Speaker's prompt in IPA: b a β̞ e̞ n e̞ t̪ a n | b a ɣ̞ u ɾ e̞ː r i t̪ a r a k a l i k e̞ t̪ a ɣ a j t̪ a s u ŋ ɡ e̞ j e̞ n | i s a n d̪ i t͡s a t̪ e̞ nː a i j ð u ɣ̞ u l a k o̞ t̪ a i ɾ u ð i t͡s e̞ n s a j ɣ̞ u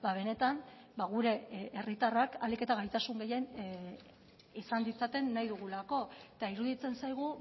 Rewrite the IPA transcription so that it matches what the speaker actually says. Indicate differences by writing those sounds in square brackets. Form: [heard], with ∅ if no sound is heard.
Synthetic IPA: b a β̞ e̞ n e̞ t̪ a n | b a ɣ̞ u ɾ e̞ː r i t̪ a r a k a l i k e̞ t̪ a ɣ a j t̪ a s u ŋ ɡ e̞ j e̞ n | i s a n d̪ i t͡s a t̪ e̞ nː a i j ð u ɣ̞ u l a k o̞ t̪ a i ɾ u ð i t͡s e̞ n s a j ɣ̞ u